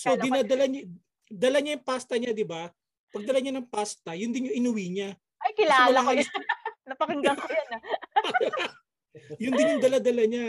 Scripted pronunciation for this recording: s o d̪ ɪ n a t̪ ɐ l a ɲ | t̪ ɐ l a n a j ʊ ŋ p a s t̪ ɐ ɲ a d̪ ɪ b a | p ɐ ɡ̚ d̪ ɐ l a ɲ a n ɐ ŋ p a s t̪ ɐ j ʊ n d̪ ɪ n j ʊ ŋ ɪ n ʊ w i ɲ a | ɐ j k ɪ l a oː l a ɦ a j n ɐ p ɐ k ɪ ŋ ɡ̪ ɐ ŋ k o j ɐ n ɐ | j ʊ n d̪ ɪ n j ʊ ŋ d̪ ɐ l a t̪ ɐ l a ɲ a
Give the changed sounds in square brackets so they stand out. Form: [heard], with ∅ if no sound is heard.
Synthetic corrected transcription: s o d̪ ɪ n a [d̪] ɐ l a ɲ | [d̪] ɐ l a [ɲ] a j ʊ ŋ p a s t̪ ɐ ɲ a d̪ ɪ b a | p ɐ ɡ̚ d̪ ɐ l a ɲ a n ɐ ŋ p a s t̪ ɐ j ʊ n d̪ ɪ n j ʊ ŋ ɪ n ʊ w i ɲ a | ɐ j k ɪ l a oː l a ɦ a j n ɐ p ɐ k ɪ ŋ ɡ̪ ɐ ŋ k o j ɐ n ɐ | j ʊ n d̪ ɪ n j ʊ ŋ d̪ ɐ l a [d̪] ɐ l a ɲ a